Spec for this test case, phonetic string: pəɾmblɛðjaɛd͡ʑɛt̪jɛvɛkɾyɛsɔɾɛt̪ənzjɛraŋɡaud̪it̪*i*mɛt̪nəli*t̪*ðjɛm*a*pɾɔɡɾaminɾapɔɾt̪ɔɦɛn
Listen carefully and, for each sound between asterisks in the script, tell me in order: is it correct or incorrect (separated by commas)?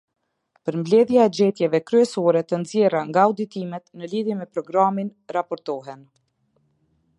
correct, incorrect, incorrect